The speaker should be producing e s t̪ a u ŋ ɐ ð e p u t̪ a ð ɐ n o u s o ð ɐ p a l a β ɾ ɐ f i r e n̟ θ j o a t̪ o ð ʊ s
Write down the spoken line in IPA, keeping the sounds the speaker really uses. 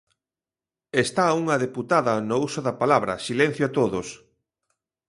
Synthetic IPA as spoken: e s t̪ a u ŋ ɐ ð e p u t̪ a ð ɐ n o u s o ð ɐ p a l a β ɾ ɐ s i l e n̟ θ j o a t̪ o ð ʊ s